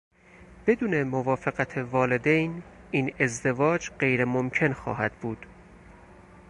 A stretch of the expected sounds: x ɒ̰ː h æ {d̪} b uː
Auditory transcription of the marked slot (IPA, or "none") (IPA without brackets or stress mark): d̪